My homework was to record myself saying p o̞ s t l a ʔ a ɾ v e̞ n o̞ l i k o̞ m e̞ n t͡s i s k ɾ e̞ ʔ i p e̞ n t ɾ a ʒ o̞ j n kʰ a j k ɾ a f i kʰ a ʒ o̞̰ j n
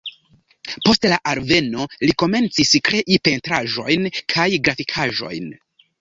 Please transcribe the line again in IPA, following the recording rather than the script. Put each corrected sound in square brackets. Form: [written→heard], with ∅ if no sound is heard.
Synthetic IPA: p o̞ s t l a ʔ a ɾ v e̞ n o̞ l i k o̞ m e̞ n t͡s i s k ɾ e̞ ʔ i p e̞ n t ɾ a ʒ o̞ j n kʰ a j [k→ɡ] ɾ a f i kʰ a ʒ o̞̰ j n